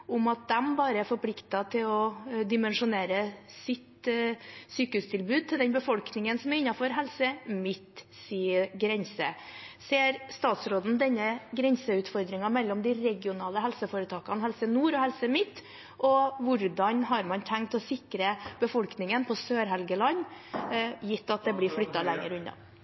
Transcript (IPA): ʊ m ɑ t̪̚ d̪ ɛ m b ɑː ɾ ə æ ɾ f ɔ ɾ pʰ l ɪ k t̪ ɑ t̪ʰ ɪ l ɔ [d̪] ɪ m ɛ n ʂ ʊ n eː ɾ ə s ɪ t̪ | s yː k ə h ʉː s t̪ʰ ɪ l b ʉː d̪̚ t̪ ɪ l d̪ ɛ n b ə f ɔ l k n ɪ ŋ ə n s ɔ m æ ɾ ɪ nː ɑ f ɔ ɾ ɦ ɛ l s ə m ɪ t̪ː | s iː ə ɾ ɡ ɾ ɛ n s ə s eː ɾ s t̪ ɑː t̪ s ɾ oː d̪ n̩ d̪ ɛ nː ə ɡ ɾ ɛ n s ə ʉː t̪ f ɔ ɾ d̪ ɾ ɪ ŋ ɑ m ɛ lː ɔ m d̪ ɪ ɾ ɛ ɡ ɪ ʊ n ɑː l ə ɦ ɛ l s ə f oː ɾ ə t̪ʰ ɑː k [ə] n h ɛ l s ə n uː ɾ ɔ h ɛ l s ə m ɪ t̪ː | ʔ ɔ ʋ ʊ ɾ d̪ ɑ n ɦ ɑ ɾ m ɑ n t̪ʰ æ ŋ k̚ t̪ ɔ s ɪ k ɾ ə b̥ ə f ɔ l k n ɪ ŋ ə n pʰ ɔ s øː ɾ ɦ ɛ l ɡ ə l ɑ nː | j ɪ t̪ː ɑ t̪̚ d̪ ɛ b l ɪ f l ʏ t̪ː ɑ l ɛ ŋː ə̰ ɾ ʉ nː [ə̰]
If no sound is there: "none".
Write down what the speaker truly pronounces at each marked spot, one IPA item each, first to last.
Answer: d̪, ɑ, ɑ̰

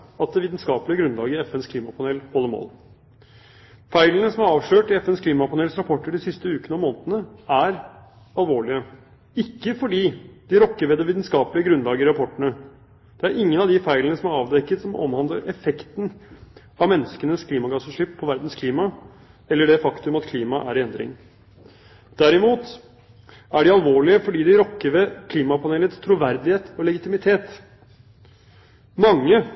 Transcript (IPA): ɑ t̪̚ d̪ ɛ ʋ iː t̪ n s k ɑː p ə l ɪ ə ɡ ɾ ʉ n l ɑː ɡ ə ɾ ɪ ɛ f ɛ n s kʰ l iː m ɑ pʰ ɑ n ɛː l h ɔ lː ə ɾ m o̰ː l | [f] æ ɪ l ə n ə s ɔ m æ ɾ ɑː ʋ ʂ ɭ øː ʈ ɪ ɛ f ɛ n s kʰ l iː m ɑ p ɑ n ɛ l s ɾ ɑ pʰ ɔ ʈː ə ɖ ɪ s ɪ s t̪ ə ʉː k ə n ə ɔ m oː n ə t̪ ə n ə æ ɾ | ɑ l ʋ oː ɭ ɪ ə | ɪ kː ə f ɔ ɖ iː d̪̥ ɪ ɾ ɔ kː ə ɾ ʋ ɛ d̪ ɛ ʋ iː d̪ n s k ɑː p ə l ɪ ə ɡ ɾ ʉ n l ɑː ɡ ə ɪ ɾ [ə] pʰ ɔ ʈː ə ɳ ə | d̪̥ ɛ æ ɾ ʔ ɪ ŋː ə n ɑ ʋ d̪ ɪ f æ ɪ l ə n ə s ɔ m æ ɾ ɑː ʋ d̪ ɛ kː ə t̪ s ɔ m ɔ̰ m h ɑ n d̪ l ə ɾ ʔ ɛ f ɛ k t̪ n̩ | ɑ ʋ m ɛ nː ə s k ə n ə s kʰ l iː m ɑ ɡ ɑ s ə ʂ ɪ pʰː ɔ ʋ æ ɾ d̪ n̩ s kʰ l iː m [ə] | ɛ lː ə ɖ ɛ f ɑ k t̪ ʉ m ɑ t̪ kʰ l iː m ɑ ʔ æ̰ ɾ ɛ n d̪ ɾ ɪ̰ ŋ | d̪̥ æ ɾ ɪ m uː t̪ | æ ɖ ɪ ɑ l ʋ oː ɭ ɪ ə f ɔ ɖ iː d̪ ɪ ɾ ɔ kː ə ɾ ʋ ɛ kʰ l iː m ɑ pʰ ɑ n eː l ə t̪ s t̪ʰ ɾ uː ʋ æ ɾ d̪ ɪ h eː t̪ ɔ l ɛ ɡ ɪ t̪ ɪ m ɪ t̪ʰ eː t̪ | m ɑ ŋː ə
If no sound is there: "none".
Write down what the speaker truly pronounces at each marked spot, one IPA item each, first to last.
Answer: f, ɑ, ɑ

